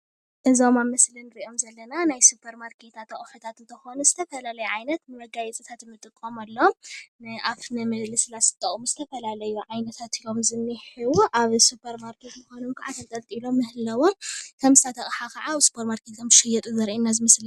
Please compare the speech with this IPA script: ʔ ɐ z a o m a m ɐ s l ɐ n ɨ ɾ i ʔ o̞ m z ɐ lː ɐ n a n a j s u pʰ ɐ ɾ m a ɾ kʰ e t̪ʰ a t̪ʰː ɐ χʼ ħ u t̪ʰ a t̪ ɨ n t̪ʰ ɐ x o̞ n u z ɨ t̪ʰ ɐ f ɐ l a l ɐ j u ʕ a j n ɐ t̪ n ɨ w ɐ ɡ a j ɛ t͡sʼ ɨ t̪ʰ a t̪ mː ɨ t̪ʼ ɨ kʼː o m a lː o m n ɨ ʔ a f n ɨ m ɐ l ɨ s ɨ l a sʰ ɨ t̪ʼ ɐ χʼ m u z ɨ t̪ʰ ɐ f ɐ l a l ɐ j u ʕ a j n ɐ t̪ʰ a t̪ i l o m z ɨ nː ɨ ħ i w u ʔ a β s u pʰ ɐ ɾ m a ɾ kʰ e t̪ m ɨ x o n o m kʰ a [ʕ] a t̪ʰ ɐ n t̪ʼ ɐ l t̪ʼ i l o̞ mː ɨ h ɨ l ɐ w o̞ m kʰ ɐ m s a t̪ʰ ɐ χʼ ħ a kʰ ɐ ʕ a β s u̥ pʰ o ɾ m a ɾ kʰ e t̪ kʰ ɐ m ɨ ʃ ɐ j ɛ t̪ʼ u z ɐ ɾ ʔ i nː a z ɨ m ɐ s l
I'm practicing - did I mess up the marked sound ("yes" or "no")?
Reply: no